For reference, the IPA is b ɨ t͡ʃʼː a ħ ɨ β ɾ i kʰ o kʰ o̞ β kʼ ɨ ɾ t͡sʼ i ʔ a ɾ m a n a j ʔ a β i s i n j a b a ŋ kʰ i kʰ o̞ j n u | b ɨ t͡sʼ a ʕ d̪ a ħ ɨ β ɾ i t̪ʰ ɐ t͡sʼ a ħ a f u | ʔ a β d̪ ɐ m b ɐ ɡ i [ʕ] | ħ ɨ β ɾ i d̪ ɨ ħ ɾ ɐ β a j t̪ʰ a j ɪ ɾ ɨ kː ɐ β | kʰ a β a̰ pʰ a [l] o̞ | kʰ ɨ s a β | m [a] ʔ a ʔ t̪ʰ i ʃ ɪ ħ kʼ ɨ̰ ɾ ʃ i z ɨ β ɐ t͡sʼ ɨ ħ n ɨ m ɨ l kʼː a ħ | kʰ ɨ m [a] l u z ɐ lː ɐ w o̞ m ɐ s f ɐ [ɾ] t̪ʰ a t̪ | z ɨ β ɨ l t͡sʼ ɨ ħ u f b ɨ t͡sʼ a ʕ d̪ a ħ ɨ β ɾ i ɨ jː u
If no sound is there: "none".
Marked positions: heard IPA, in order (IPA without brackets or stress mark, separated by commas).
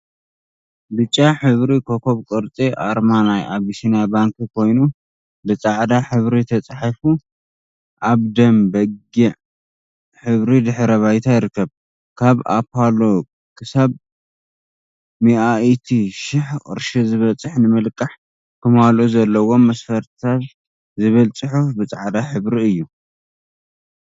ʕ, l, i, a, ɾ